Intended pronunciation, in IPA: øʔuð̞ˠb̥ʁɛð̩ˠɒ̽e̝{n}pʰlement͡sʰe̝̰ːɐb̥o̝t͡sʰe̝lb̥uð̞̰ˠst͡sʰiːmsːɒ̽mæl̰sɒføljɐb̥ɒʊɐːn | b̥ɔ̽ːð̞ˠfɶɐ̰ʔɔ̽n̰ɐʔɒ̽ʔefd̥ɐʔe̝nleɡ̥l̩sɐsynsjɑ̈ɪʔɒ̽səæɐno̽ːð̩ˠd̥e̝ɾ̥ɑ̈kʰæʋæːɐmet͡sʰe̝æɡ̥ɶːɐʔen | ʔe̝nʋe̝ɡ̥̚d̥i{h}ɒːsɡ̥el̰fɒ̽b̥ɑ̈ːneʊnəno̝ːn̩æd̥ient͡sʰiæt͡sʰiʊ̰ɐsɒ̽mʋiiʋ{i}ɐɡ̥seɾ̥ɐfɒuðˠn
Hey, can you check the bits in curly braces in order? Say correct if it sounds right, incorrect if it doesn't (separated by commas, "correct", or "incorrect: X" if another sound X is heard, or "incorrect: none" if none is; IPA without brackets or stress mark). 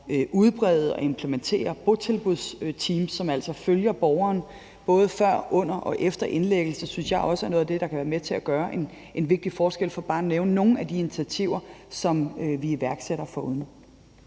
incorrect: m, incorrect: f, incorrect: æ